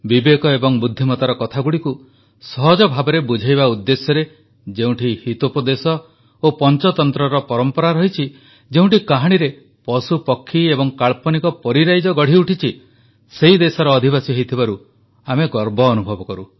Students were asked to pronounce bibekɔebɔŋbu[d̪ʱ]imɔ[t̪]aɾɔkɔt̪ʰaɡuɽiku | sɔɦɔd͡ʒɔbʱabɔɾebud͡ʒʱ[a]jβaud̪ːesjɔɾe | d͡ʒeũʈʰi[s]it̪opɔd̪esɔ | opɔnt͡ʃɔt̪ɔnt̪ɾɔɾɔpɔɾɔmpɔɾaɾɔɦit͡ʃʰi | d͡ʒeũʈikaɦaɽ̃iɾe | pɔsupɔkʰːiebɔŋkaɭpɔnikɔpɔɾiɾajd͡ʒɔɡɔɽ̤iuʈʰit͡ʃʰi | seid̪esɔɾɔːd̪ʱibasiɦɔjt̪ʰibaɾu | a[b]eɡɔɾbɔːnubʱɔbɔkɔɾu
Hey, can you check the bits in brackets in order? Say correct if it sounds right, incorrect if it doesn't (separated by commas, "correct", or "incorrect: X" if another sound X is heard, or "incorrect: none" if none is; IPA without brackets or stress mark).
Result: incorrect: d̪ʱː, correct, correct, incorrect: h, incorrect: m